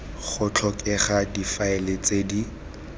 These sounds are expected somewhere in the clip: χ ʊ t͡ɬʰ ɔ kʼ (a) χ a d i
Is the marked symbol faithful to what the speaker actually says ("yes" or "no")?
no